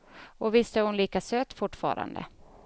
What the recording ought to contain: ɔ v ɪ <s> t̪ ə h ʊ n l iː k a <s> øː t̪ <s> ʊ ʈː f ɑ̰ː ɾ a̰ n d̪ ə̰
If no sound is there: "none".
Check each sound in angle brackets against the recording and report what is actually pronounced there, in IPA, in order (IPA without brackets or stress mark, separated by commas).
s, s, f